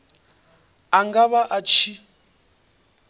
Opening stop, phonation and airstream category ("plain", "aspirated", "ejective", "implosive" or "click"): plain